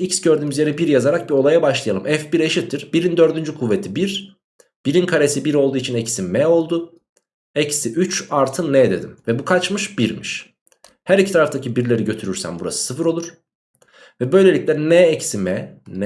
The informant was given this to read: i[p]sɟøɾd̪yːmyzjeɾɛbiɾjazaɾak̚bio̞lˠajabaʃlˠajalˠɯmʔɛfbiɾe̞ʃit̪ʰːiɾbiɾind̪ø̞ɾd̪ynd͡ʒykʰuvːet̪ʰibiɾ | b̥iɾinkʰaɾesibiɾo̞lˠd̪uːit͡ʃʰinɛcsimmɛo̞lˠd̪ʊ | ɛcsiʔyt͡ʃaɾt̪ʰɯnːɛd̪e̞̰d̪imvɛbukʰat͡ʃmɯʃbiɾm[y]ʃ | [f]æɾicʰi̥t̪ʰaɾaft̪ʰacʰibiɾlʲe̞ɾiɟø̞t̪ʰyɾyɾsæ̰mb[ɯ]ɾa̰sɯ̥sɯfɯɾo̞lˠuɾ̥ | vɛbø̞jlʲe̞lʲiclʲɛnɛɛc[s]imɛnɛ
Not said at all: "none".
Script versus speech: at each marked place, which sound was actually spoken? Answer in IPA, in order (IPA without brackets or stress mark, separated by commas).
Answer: c, i, h, u, s